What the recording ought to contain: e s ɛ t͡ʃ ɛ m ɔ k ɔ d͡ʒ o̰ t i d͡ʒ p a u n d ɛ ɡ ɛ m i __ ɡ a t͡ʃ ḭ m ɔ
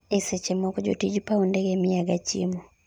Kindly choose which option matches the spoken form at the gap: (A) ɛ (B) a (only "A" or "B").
B